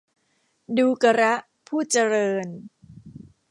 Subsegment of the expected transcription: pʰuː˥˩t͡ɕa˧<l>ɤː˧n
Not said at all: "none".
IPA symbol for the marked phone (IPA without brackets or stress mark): ɾ